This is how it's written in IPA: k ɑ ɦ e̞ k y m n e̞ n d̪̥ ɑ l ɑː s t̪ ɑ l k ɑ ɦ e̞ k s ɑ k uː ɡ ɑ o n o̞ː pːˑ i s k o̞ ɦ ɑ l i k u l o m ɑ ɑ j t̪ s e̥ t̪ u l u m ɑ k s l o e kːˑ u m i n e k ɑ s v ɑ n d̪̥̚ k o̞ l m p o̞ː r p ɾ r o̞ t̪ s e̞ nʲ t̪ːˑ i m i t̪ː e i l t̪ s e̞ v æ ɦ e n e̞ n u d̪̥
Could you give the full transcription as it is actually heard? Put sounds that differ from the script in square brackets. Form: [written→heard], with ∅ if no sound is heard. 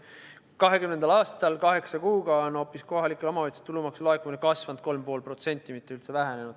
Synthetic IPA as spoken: k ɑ ɦ e̞ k y m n e̞ n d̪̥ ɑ l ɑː s t̪ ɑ l k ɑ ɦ e̞ k s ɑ k uː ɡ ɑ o n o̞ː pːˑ i s k o̞ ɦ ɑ l i k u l o m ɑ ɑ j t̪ s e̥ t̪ u l u m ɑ k s l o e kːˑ u m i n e k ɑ s v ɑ n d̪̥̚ k o̞ l m p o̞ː [r→l] p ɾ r o̞ t̪ s e̞ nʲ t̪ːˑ i m i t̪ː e [i→y] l t̪ s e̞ v æ ɦ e n e̞ n u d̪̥